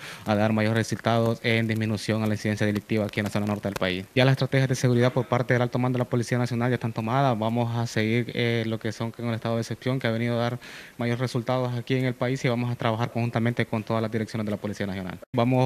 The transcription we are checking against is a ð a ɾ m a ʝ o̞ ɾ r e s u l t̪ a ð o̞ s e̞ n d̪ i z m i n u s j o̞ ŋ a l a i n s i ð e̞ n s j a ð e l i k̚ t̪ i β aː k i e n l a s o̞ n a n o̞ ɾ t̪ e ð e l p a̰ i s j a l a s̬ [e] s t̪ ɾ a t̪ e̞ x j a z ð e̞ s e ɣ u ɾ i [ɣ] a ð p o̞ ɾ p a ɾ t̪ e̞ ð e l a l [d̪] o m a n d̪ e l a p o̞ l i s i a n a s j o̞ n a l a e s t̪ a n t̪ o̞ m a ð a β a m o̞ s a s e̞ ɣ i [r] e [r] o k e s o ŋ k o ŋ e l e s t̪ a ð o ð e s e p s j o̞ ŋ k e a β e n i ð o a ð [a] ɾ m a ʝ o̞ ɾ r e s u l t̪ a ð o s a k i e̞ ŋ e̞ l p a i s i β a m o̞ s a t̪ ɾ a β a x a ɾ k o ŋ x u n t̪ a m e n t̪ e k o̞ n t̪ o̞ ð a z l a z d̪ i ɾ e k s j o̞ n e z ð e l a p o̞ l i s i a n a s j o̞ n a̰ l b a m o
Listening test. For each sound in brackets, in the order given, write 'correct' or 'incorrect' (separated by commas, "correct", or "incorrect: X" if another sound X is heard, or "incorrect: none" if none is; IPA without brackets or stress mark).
correct, incorrect: ð, incorrect: t̪, incorrect: ɾ, incorrect: l, correct